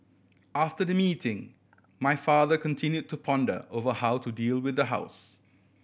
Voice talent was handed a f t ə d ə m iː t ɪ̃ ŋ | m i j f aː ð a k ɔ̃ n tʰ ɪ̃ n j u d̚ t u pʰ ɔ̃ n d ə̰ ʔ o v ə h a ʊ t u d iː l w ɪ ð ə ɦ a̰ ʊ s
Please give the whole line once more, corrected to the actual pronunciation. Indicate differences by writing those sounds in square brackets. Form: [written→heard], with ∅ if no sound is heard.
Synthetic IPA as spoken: a f t ə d ə m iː t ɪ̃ ŋ | m [i→a] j f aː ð [a→ə] k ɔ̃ n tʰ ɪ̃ n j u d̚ t u pʰ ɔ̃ n d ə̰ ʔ o v ə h a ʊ t u d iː l w ɪ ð ə ɦ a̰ ʊ s